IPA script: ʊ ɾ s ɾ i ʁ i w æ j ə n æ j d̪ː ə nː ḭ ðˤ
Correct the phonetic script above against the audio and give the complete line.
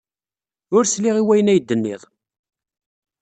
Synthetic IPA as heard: ʊ ɾ s l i ʁ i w æ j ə n æ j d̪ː ə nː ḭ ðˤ